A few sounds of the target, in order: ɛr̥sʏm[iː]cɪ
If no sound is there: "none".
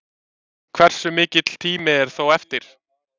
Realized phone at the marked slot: ɪː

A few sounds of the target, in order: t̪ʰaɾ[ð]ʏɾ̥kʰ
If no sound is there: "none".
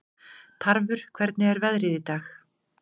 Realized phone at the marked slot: v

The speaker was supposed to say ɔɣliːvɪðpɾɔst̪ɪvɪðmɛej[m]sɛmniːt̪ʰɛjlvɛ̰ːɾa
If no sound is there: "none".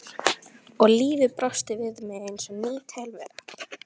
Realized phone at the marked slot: n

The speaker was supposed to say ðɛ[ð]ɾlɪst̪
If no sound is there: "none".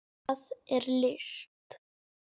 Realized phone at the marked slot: none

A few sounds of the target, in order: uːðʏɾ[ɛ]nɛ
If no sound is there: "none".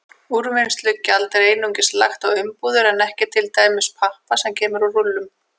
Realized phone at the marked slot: ɛ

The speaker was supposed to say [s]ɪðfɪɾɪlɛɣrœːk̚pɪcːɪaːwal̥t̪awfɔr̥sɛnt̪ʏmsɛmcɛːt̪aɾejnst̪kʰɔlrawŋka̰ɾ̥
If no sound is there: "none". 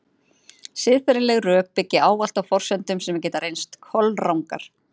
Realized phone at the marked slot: s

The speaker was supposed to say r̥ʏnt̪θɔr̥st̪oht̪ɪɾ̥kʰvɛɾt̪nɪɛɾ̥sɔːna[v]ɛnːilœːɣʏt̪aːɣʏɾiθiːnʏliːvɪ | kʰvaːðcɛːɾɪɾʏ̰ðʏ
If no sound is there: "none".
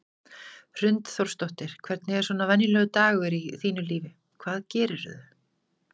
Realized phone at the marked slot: v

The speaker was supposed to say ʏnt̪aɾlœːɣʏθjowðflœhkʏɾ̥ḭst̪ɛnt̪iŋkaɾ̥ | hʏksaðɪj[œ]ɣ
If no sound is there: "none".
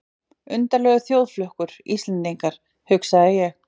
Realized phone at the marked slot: ɛ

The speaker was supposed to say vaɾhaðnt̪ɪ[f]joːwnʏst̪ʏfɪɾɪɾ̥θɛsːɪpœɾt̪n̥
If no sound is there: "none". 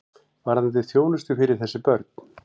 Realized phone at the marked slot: θ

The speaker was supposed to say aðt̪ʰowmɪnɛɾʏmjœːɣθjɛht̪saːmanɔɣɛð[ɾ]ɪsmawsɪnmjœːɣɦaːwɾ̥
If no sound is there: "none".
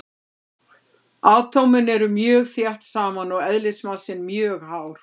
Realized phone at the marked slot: l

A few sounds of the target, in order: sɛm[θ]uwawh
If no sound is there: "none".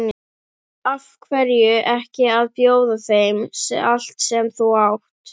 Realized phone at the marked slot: θ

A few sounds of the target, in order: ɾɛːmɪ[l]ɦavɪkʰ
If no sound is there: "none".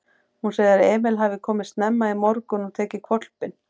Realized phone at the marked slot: l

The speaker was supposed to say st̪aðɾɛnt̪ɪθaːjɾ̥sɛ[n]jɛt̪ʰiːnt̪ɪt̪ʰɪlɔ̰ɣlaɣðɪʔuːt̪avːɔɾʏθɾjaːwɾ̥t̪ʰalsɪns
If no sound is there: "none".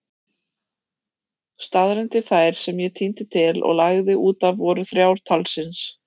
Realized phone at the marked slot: m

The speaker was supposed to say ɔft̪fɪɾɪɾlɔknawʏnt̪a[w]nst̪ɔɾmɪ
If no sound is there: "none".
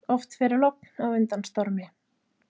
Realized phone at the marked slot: none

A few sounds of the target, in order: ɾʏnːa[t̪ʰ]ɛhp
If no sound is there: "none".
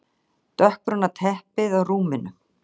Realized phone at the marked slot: t̪ʰ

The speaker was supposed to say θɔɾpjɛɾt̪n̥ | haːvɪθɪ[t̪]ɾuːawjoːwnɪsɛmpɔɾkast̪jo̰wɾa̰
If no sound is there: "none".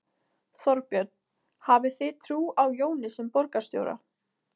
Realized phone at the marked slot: t̪ʰ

